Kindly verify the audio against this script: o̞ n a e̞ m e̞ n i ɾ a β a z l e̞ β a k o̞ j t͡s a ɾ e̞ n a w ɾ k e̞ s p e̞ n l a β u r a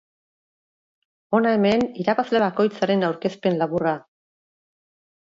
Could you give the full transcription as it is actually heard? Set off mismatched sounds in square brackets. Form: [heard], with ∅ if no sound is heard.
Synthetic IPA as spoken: o̞ n a e̞ m e̞ n i ɾ a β a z l e̞ β a k o̞ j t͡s a ɾ e̞ n a w ɾ k e̞ s p e̞ n l a β u r a